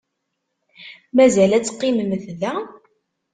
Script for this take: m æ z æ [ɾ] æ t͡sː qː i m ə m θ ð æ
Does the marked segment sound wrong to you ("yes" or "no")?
yes